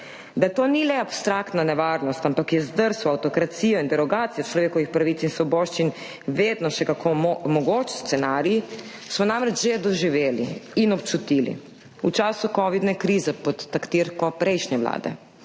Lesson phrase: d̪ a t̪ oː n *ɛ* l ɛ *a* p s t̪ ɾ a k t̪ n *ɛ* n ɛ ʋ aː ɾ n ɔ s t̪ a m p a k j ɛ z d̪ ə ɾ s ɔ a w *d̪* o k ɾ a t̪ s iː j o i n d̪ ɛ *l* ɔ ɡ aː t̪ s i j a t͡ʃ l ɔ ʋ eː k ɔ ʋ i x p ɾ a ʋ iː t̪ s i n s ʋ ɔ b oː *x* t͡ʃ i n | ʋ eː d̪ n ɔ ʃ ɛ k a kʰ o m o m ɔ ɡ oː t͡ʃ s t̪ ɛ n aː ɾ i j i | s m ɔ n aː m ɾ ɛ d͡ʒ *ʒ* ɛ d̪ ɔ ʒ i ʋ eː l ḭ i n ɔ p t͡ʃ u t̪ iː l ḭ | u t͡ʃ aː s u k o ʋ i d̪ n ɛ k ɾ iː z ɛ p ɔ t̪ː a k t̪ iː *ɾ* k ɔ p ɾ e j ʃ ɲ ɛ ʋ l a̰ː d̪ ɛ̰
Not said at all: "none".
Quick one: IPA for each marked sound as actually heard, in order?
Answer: i, a, a, t̪, ɾ, ʃ, ʒ, ɾ

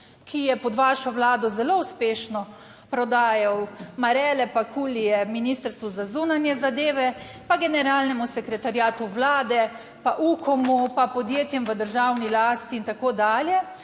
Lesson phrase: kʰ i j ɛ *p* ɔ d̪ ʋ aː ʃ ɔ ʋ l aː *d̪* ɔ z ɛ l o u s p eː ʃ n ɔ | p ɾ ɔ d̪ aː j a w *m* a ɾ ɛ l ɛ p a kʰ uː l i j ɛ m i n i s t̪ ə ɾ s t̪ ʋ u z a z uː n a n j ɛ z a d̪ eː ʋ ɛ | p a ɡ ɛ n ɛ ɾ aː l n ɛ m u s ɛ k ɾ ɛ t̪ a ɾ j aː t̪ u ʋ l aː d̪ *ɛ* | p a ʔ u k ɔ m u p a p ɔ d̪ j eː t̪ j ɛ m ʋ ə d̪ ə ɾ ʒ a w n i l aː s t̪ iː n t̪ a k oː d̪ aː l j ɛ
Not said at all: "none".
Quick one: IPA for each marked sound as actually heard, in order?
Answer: p, d̪, m, ɛ

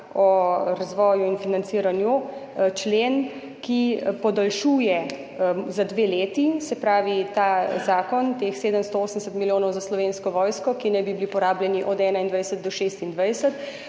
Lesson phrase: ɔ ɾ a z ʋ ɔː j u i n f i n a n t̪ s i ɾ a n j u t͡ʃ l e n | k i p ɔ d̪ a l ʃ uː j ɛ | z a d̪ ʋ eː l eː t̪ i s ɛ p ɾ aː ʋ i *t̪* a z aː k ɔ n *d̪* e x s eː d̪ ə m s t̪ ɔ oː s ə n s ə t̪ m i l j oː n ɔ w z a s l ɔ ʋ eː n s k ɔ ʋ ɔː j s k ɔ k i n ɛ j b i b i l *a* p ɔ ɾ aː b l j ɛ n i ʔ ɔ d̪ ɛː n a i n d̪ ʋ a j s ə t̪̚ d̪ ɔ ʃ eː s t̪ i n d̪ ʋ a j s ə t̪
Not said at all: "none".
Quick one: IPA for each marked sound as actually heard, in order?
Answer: t̪, t̪, i

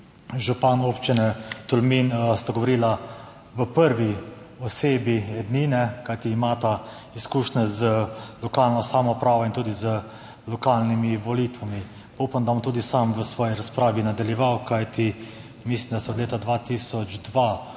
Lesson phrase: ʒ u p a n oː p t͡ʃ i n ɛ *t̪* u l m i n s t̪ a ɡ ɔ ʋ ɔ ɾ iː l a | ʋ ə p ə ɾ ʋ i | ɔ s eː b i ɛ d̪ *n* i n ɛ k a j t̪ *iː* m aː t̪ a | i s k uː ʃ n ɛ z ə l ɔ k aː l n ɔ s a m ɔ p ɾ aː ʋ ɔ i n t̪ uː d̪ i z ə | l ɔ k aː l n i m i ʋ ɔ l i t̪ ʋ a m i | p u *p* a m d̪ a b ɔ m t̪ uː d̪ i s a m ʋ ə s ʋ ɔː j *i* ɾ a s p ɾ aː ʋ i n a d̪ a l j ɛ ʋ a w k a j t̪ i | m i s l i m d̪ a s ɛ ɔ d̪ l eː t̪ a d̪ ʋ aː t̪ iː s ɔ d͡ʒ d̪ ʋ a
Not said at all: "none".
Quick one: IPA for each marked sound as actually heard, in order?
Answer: t̪, n, iː, p, i

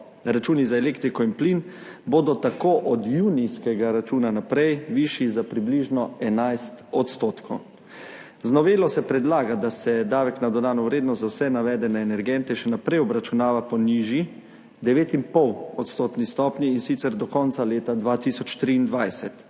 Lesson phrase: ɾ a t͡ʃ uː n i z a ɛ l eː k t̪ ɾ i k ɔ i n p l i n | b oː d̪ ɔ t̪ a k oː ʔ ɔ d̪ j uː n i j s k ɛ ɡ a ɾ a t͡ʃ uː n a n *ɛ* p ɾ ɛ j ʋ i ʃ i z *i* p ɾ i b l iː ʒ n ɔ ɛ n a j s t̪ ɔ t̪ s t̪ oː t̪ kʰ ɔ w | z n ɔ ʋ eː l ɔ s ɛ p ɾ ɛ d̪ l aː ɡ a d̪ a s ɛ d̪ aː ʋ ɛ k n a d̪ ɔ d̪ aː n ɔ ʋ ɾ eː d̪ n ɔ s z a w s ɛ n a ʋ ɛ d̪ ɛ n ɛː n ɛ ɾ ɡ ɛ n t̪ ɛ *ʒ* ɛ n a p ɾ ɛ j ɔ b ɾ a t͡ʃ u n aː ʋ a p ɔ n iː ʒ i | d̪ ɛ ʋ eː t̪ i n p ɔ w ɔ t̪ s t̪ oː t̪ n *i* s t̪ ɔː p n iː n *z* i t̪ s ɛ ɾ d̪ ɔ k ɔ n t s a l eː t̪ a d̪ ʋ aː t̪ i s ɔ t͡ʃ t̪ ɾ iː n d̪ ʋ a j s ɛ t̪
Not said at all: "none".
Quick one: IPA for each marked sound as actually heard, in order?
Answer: a, a, ʃ, i, s

